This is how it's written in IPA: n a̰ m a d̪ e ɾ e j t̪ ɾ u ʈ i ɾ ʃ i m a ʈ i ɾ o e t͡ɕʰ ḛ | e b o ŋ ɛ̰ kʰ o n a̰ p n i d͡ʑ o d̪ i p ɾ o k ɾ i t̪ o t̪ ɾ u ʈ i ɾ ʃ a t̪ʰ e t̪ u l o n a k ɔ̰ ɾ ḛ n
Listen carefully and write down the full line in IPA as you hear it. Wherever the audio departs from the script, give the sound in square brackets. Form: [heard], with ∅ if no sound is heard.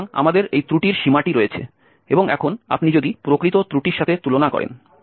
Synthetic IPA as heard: [ŋ] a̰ m a d̪ e ɾ e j t̪ ɾ u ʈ i ɾ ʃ i m a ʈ i ɾ o e t͡ɕʰ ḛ | e b o ŋ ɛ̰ kʰ o n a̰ p n i d͡ʑ o d̪ i p ɾ o k ɾ i t̪ o t̪ ɾ u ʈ i ɾ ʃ a t̪ʰ e t̪ u l o n a k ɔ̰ ɾ ḛ n